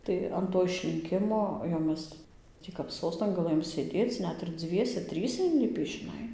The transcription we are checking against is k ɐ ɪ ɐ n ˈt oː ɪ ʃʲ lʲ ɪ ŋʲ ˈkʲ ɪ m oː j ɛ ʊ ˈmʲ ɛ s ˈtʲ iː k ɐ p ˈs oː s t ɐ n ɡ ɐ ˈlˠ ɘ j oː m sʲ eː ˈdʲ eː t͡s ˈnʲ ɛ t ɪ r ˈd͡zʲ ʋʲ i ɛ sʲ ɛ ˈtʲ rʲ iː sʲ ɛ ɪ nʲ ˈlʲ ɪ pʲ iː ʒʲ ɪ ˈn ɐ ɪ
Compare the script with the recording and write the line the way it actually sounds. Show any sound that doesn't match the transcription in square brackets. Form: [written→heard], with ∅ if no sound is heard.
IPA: [k→t] ɐ ɪ ɐ n ˈt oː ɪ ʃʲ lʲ ɪ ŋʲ ˈkʲ ɪ m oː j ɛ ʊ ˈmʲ ɛ s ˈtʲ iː k ɐ p ˈs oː s t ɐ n ɡ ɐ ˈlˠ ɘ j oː m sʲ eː ˈdʲ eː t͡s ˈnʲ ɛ t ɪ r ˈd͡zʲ ʋʲ i ɛ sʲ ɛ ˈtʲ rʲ iː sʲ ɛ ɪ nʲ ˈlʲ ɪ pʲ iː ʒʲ ɪ ˈn ɐ ɪ

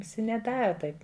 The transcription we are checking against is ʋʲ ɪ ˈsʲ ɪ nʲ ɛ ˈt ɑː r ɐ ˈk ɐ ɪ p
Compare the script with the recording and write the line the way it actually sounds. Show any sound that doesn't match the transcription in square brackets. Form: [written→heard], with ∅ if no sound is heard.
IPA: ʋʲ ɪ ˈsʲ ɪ nʲ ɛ [ˈt→ˈd] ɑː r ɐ [ˈk→ˈt] ɐ ɪ p

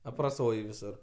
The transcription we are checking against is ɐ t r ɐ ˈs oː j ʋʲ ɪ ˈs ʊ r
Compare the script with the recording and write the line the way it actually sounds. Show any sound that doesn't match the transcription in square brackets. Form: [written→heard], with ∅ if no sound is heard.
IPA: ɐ [t→p] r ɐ ˈs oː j ʋʲ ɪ ˈs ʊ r

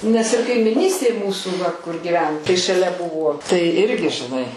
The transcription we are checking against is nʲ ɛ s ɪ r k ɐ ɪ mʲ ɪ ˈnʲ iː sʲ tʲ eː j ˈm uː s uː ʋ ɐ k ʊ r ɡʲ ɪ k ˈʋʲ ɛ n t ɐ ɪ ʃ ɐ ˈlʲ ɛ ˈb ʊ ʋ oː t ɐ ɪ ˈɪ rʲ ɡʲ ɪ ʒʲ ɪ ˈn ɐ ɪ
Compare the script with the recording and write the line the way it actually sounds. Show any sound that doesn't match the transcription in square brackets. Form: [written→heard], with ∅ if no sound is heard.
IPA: nʲ ɛ s ɪ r k ɐ ɪ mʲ ɪ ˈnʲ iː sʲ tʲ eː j ˈm uː s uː ʋ ɐ k ʊ r ɡʲ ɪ [k→∅] ˈʋʲ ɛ n t ɐ ɪ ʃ ɐ ˈlʲ ɛ ˈb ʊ ʋ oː t ɐ ɪ ˈɪ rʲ ɡʲ ɪ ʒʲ ɪ ˈn ɐ ɪ

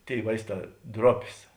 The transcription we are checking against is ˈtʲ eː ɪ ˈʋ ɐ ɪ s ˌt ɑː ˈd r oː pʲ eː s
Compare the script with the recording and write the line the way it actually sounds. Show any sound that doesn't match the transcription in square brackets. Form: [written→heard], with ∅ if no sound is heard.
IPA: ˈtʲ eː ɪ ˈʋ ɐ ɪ s ˌt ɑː ˈd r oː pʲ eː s

